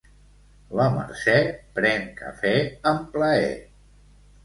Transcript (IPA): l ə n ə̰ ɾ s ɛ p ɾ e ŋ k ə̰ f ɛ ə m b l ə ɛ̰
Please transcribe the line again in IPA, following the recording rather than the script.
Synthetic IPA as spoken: l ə m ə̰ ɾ s ɛ p ɾ ɛ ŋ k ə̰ f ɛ ə m p l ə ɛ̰